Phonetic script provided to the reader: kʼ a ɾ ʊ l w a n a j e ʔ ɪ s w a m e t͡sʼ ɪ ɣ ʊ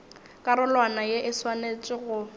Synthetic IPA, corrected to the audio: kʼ a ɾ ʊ l w a n a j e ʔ ɪ s w a n e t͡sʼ ɪ ɣ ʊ